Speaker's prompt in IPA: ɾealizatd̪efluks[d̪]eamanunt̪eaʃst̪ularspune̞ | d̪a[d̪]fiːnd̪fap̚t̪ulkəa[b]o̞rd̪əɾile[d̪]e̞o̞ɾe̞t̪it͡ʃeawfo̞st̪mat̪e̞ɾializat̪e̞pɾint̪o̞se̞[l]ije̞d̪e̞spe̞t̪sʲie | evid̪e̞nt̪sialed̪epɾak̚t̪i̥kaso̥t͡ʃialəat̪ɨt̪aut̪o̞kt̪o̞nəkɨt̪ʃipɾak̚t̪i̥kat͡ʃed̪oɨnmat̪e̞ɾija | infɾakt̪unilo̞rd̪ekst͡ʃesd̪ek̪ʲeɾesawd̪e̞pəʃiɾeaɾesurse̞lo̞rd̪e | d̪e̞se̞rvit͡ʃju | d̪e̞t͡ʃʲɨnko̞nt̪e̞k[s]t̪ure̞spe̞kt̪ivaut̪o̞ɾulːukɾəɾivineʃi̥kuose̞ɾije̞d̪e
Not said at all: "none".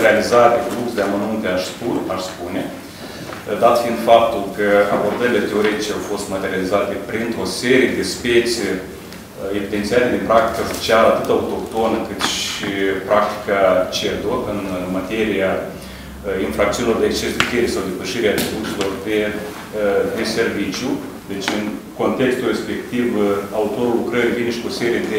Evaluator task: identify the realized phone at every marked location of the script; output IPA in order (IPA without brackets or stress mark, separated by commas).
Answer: d̪, t̪, b, t̪, ɾ, s